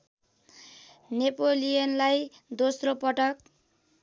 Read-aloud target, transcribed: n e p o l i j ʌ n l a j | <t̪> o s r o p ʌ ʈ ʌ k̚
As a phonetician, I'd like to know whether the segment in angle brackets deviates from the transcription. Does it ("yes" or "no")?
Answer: yes